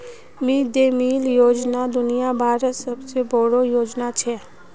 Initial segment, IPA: m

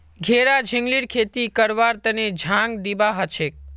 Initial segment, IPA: ɡʱ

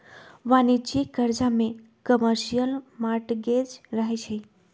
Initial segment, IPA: ʋ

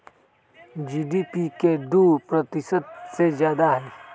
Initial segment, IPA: d͡ʒ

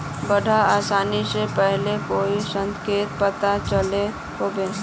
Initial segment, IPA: b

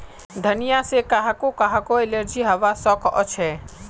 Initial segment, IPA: d̪ʱ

